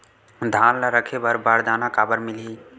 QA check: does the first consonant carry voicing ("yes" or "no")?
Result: yes